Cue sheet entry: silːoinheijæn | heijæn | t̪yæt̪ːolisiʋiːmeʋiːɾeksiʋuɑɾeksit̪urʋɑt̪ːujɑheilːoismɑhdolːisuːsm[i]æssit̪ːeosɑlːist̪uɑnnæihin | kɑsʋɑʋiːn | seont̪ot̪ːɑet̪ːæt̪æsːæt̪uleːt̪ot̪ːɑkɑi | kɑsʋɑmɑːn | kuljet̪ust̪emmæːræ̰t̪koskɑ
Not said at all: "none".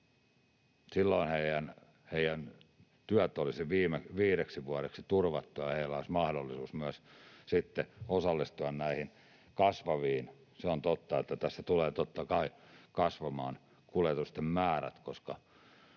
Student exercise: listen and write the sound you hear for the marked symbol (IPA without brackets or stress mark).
y